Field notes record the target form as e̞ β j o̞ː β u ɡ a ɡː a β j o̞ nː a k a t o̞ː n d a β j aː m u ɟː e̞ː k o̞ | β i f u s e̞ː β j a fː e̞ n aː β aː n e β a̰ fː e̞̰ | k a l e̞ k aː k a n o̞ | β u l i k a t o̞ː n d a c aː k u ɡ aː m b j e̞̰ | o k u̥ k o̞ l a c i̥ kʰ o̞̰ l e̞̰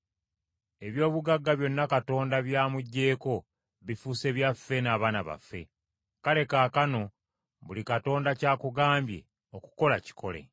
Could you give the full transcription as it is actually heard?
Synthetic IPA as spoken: e̞ β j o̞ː β u ɡ a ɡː a β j o̞ nː a k a t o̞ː n d a β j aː m u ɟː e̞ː k o̞ | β i f u s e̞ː β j a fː e̞ n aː β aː n a β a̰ fː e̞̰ | k a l e̞ k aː k a n o̞ | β u l i k a t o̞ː n d a c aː k u ɡ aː m b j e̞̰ | o k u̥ k o̞ l a c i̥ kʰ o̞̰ l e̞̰